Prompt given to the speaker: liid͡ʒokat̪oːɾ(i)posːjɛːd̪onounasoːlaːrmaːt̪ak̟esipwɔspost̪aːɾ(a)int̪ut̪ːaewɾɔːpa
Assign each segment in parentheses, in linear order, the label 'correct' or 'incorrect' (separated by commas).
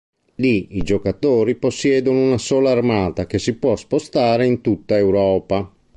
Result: correct, incorrect